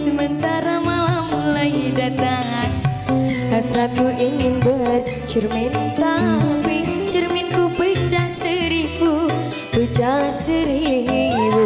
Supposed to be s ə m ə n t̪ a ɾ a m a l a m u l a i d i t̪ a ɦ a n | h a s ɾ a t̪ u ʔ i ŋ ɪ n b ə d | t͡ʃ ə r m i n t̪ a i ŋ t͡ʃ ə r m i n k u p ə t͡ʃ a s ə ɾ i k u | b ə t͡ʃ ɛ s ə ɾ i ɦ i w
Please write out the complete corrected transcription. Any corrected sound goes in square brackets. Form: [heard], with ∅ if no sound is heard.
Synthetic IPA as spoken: s ə m ə n t̪ a ɾ a m a l a m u l a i d [a] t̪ a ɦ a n | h a s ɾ a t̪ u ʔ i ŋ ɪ n b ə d | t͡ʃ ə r m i n t̪ a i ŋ t͡ʃ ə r m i n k u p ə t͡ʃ a s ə ɾ i k u | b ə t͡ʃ [a] s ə ɾ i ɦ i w